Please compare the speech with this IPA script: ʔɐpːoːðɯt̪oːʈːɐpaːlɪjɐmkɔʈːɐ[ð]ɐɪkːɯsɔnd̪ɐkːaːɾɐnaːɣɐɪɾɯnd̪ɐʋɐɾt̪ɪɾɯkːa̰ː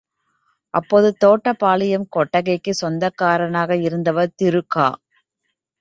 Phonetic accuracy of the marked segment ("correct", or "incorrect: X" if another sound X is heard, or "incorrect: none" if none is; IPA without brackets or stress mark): incorrect: ɣ